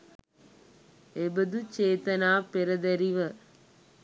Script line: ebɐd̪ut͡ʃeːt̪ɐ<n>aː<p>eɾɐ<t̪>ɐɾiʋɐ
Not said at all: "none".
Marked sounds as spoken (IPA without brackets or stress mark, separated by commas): n, p, d̪